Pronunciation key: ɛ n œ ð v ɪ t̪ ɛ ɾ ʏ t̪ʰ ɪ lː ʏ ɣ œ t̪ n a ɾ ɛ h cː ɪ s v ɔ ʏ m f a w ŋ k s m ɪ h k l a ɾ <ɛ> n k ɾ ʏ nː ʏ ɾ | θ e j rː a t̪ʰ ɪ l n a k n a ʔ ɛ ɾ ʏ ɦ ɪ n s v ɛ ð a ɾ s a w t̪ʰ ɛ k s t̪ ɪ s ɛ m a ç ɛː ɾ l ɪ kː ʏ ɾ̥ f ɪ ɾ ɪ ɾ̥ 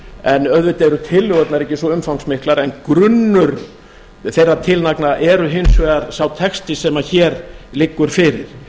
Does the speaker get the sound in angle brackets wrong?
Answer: no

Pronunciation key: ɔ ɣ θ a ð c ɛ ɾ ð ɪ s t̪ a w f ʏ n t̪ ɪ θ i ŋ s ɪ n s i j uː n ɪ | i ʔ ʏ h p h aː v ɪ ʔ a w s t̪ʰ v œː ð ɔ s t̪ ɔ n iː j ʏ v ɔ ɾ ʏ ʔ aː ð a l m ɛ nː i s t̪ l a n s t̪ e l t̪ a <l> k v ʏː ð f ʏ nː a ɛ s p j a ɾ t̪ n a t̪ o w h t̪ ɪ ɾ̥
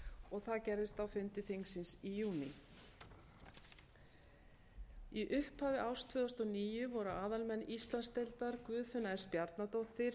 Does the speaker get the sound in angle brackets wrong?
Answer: yes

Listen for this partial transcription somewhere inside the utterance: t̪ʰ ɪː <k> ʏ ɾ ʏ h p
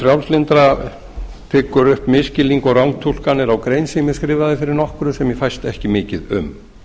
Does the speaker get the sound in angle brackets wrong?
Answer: no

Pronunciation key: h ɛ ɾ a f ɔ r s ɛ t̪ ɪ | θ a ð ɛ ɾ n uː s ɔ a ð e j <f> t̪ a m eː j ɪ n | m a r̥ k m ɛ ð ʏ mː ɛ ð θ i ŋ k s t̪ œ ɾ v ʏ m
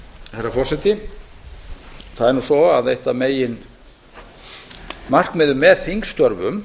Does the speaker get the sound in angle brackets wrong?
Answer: yes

